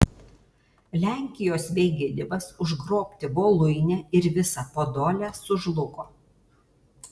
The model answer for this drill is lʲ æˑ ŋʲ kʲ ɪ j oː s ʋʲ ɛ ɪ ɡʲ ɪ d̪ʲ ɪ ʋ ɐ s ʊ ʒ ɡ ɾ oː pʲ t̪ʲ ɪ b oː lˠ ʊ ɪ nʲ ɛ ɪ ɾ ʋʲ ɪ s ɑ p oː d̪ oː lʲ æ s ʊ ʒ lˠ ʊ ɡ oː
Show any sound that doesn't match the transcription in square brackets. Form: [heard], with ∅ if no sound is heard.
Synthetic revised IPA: lʲ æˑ ŋʲ kʲ ɪ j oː s ʋʲ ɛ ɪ ɡʲ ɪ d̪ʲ ɪ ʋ ɐ s ʊ ʒ ɡ ɾ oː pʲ t̪ʲ ɪ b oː lˠ ʊ ɪ nʲ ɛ ɪ ɾ ʋʲ ɪ s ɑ p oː d̪ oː lʲ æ s ʊ ʒ lˠ ʊ [k] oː